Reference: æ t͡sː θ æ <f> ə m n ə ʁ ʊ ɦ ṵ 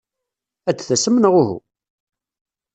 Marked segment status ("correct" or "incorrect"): incorrect